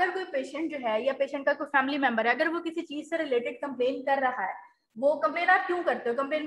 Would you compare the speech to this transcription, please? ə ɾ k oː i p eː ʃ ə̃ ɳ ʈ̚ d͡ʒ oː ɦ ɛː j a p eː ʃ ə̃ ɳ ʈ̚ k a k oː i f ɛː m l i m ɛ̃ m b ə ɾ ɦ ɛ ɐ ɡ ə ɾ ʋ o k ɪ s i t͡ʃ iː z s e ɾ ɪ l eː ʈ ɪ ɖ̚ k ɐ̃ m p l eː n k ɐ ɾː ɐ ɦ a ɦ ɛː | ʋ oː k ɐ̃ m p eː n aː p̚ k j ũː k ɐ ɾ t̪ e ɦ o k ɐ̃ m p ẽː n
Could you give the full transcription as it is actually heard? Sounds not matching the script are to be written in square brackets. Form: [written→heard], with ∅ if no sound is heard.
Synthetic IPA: ə ɾ k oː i p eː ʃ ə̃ ɳ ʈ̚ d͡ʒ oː ɦ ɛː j a p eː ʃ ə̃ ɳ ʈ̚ k a k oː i f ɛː m l i m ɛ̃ m b ə ɾ ɦ ɛ ɐ ɡ ə ɾ ʋ o k ɪ s i t͡ʃ iː z s e ɾ ɪ l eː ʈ ɪ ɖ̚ k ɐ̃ m p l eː n k ɐ ɾː ɐ ɦ a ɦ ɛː | ʋ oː k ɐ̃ m p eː n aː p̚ k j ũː k ɐ ɾ t̪ e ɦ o k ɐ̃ m p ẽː n